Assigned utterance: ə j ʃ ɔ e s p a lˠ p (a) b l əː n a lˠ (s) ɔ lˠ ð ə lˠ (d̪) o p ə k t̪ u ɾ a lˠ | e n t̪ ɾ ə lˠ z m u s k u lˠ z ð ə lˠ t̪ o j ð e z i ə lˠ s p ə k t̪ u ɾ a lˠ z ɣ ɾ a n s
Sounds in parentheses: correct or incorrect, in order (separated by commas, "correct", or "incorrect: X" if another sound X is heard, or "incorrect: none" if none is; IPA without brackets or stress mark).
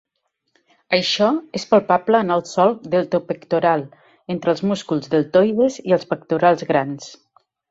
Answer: correct, correct, incorrect: t̪